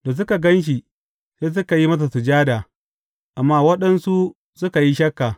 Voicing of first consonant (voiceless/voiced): voiced